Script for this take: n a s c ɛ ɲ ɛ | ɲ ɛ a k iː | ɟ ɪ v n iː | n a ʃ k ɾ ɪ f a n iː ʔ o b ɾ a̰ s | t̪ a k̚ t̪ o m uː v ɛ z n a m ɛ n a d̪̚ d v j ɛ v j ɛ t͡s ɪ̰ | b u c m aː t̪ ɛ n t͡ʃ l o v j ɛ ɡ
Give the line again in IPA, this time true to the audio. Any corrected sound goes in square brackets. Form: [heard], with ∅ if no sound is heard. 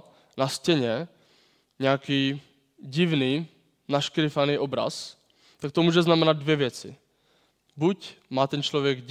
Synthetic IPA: n a s c ɛ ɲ ɛ | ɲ ɛ a k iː | ɟ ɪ v n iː | n a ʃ k ɾ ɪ f a n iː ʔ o b ɾ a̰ s | t̪ a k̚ t̪ o m uː [ʒ] ɛ z n a m ɛ n a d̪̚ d v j ɛ v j ɛ t͡s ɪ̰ | b u c m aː t̪ ɛ n t͡ʃ l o v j ɛ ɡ